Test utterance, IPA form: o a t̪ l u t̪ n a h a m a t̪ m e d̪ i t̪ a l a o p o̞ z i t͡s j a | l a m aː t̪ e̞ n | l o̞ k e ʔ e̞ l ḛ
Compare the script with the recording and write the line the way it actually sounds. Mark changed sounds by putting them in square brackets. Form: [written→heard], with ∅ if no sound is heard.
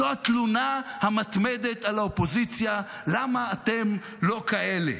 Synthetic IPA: o a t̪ l u [t̪→∅] n a h a m a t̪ m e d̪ [i→e] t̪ a l a o p o̞ z i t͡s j a | l a m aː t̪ e̞ [n→m] | l o̞ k [e→a] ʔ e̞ l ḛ